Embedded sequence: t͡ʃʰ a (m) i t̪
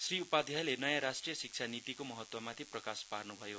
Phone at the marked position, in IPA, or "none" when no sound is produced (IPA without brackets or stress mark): n